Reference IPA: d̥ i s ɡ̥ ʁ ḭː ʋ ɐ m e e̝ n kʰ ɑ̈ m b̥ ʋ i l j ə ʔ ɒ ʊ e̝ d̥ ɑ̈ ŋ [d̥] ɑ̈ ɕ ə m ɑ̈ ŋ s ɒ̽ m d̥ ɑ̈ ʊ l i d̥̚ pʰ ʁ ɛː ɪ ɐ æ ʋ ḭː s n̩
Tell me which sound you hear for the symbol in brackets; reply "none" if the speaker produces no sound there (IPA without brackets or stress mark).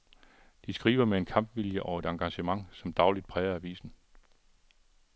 ɡ̥